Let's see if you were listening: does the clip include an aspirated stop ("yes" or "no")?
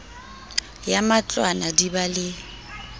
no